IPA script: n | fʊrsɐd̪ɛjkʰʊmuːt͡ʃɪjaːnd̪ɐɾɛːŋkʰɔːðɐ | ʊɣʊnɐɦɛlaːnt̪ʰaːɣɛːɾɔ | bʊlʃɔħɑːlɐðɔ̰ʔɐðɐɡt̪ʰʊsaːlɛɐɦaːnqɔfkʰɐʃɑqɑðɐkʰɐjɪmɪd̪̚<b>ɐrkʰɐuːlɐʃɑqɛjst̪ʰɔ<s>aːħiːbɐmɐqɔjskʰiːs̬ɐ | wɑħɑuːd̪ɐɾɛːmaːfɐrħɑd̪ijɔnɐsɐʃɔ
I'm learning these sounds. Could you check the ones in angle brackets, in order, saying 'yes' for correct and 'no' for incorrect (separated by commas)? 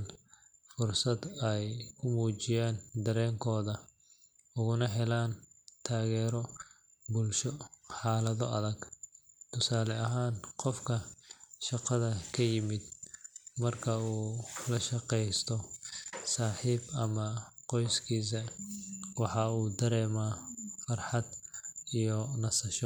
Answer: no, yes